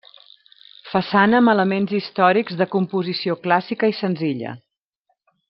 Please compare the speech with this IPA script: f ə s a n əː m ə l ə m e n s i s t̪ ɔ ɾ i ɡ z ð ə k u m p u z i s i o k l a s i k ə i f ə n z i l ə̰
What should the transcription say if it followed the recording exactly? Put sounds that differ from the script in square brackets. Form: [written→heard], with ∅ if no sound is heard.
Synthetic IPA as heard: f ə s a n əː m ə l ə m e n [s→z] i s t̪ ɔ ɾ i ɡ z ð ə k u m p u z i s i o k l a s i k ə i [f→s] ə n z i [l→ʎ] ə̰